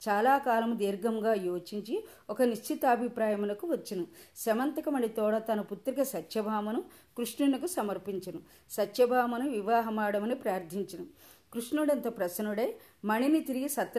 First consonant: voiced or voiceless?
voiceless